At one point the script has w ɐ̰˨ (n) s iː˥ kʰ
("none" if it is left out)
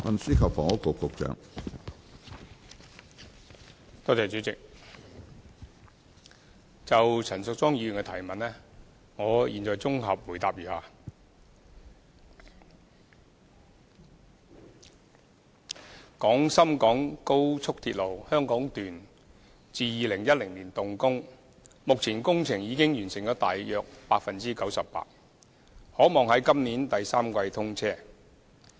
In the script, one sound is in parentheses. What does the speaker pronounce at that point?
n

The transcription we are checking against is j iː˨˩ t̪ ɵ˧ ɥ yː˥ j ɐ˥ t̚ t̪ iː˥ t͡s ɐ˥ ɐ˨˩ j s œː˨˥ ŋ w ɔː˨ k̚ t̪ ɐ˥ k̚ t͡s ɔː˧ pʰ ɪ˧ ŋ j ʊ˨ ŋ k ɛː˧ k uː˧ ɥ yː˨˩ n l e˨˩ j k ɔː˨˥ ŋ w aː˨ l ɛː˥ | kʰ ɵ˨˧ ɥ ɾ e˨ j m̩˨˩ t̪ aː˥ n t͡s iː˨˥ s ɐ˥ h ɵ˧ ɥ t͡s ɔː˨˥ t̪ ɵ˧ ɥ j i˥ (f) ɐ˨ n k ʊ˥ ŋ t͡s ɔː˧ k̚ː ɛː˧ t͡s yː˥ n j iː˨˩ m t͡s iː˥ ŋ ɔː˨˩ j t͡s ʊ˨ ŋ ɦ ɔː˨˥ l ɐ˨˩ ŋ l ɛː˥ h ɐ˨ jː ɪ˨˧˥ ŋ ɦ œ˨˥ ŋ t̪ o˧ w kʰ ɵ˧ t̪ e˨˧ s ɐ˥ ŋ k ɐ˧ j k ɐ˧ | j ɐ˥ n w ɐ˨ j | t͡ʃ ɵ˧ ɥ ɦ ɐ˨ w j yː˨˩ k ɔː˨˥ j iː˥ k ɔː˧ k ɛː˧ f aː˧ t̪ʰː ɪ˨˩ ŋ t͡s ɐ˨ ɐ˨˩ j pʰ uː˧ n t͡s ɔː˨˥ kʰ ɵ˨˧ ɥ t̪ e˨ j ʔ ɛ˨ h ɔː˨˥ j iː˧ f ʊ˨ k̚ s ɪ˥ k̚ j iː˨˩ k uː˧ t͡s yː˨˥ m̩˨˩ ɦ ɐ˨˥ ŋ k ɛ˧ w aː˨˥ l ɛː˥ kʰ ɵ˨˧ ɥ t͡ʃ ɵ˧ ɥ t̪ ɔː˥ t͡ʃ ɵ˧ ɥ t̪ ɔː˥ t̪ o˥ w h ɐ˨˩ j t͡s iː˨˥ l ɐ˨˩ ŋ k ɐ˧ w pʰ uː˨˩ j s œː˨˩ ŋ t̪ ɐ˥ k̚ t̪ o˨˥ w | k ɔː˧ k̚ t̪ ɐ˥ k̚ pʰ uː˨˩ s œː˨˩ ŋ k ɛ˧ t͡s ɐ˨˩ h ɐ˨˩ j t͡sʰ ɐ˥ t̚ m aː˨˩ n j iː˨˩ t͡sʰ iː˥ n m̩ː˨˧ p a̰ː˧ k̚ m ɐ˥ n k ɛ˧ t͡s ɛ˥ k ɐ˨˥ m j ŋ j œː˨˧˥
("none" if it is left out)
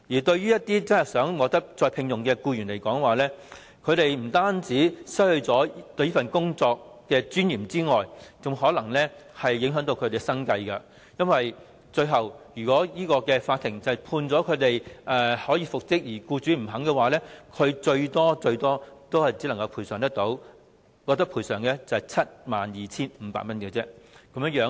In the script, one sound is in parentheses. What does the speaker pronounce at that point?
f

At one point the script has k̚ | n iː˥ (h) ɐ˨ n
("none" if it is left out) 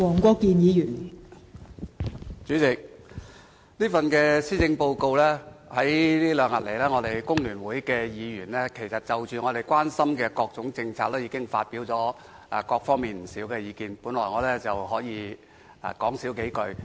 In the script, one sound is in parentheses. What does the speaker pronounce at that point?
f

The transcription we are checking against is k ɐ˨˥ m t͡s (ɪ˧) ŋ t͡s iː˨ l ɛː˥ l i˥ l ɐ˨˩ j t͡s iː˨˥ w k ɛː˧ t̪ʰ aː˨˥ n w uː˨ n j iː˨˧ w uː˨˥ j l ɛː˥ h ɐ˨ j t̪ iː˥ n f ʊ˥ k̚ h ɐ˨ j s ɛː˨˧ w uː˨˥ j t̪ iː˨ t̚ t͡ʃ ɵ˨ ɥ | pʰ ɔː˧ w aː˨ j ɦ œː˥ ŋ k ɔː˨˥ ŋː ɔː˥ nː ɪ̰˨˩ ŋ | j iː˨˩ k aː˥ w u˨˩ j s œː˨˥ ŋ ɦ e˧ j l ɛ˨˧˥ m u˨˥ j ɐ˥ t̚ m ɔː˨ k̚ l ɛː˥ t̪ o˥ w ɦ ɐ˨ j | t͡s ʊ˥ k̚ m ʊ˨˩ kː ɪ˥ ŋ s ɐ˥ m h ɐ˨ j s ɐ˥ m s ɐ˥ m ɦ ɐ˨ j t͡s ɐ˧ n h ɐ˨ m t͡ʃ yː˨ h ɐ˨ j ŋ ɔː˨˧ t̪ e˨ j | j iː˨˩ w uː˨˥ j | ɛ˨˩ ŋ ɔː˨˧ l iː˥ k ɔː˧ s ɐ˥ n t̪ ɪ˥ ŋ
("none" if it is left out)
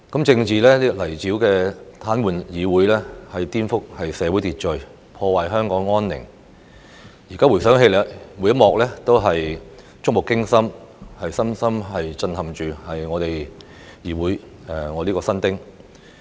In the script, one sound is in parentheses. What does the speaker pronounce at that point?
ɪ˧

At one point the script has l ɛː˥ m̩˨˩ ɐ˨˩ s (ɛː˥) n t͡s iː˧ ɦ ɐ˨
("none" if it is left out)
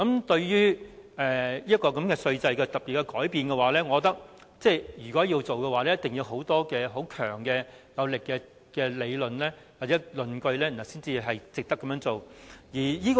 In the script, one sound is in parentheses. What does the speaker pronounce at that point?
iː˥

